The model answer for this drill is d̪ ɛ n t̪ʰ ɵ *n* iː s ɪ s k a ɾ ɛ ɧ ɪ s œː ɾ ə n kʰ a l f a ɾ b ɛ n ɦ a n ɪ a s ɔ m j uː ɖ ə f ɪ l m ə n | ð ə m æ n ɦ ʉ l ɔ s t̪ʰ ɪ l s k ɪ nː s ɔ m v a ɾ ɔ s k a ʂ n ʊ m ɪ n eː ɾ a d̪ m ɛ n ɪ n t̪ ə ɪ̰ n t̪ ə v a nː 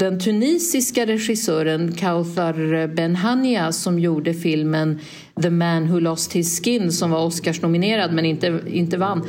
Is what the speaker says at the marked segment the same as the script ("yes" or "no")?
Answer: yes